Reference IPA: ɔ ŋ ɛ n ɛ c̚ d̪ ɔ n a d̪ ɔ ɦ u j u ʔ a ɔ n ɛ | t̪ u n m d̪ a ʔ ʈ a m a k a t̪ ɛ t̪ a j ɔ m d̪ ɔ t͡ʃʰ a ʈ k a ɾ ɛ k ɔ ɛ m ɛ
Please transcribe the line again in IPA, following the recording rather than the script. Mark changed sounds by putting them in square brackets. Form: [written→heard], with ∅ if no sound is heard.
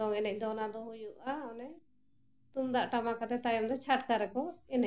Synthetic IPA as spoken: ɔ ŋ ɛ n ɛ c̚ d̪ ɔ n a d̪ ɔ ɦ u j u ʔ a ɔ n ɛ | t̪ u [n→∅] m d̪ a ʔ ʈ a m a k a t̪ ɛ t̪ a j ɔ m d̪ ɔ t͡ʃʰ a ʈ k a ɾ ɛ k ɔ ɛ [m→n] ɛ